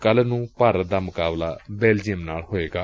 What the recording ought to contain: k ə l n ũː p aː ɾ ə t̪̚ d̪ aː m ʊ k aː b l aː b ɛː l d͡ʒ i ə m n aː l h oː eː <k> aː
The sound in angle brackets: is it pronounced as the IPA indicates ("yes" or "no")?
no